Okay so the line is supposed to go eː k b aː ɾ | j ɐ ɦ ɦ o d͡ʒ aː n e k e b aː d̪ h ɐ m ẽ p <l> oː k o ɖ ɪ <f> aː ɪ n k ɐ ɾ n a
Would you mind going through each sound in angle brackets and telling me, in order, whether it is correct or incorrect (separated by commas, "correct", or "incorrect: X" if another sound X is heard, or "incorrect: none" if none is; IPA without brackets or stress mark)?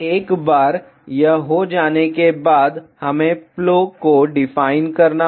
correct, correct